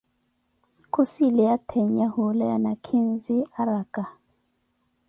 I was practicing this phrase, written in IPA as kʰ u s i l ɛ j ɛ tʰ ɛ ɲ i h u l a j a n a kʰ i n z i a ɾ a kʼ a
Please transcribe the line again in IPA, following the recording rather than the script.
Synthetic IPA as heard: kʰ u s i l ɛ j a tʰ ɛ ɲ a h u l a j a n a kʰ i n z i a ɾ a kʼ a